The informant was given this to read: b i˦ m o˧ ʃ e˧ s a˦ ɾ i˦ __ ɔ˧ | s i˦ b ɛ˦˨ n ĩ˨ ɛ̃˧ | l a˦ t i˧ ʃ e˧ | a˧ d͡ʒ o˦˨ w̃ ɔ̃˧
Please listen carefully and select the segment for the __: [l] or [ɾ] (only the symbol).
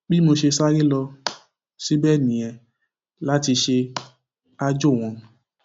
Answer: l